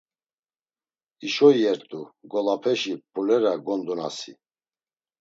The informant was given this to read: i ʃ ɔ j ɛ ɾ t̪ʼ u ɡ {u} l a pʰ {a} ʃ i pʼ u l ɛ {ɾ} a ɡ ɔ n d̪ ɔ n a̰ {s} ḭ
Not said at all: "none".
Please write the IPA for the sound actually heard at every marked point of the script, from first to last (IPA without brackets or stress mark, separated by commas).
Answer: ɔ, ɛ, ɾ, s